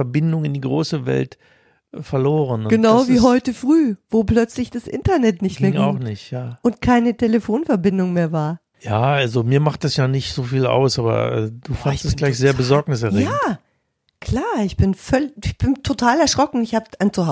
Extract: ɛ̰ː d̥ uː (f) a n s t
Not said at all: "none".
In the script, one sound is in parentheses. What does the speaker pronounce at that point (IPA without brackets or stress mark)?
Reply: f